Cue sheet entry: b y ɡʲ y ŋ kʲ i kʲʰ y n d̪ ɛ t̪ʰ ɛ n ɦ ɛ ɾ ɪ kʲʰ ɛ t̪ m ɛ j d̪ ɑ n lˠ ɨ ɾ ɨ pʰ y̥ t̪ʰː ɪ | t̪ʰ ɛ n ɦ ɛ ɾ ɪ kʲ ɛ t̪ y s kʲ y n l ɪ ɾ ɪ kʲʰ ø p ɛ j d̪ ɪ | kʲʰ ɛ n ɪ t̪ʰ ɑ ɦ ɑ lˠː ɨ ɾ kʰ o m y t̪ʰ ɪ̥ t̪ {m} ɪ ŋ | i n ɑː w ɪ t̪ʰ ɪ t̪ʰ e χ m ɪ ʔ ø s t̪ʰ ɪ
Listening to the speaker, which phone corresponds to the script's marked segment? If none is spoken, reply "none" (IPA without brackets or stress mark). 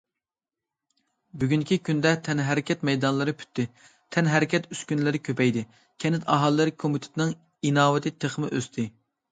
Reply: n